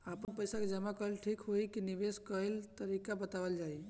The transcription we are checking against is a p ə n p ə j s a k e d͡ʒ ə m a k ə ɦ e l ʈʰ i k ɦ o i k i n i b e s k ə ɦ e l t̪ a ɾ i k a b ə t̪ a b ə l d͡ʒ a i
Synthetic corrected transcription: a p ə n p ə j s a k e d͡ʒ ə m a k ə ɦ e l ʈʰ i k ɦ o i k i n i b e s k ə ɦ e l t̪ ə ɾ i k a b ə t̪ a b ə l d͡ʒ a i